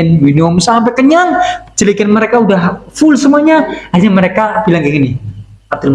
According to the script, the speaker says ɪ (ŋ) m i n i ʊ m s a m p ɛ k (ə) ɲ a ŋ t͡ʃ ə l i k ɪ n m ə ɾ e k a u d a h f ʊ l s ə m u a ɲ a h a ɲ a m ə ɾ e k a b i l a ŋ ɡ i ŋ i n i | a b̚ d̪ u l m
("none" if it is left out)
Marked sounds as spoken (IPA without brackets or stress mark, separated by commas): n, ə